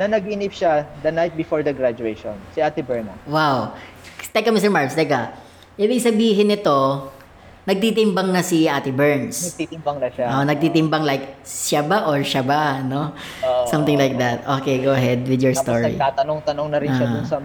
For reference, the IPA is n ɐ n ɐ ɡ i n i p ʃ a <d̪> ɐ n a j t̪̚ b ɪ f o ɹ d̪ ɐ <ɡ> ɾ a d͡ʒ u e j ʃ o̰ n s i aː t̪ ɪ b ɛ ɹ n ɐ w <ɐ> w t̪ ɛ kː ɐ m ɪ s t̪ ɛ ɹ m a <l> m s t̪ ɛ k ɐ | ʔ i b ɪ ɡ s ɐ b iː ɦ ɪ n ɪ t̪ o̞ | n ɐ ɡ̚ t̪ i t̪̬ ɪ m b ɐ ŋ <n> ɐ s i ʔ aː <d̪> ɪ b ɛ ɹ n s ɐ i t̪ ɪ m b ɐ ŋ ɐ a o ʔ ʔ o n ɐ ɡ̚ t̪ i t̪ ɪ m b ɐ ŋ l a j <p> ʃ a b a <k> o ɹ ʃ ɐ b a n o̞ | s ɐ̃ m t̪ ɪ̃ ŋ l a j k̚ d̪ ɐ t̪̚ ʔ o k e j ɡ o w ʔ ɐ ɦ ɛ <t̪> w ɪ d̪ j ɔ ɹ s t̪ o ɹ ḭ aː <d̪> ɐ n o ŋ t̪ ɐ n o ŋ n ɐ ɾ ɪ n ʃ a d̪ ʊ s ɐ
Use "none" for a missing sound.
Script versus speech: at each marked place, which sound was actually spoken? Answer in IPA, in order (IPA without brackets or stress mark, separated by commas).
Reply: d̪, ɡ, a, ɹ, n, t̪, k, ʔ, d̪, t̪